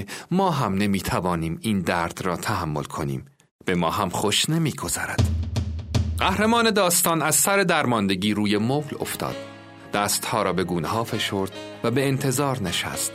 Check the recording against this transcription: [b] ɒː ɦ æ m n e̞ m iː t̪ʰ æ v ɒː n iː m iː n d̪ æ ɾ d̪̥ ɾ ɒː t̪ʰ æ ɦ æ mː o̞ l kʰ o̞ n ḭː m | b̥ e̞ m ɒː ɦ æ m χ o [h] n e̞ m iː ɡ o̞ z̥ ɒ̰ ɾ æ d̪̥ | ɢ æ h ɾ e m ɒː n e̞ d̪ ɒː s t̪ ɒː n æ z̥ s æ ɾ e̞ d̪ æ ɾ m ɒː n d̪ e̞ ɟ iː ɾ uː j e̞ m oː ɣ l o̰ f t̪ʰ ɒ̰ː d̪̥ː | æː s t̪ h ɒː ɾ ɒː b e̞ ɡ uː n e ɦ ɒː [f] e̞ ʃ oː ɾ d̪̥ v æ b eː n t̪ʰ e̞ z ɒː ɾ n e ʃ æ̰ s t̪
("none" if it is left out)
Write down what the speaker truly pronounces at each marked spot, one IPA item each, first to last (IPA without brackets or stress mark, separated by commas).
m, ʃ, f